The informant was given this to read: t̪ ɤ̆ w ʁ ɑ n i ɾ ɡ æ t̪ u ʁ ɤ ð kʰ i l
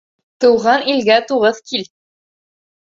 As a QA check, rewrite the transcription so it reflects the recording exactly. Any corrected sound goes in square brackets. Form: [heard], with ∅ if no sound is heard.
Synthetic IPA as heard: t̪ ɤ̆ w ʁ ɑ n i [l] ɡ æ t̪ u ʁ ɤ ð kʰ i l